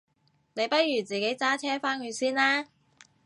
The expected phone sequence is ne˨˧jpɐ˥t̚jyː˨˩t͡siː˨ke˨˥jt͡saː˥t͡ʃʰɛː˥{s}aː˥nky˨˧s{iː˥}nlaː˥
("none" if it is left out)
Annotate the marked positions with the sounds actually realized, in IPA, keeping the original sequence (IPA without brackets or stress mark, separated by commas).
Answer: f, iː˥